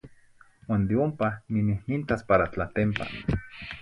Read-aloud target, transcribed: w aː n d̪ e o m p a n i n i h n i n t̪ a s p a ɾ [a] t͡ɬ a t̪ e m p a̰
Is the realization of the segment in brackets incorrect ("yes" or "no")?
no